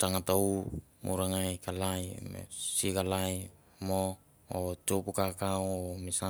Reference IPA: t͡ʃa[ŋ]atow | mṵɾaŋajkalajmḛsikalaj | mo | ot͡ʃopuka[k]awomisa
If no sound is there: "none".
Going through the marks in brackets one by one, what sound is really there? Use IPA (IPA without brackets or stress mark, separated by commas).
ŋ, k